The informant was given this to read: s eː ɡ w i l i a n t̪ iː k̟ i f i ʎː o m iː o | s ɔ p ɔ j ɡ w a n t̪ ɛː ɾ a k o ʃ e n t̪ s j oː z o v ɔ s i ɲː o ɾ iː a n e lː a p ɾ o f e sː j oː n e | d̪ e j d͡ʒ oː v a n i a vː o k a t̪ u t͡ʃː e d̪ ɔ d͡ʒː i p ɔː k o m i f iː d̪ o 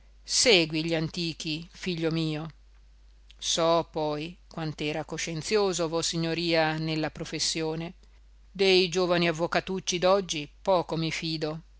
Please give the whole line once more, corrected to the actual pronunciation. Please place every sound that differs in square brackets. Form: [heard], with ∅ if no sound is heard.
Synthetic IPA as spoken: s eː ɡ w i [ʎ] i a n t̪ iː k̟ i f i ʎː o m iː o | s ɔ p ɔ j [k] w a n t̪ ɛː ɾ a k o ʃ e n t̪ s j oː z o v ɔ s i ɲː o ɾ iː a n e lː a p ɾ o f e sː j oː n e | d̪ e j d͡ʒ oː v a n i a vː o k a t̪ u t͡ʃː [i] d̪ ɔ d͡ʒː i p ɔː k o m i f iː d̪ o